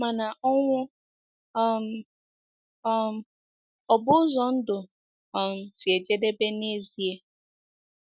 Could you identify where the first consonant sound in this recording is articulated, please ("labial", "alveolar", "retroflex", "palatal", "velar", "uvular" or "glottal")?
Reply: labial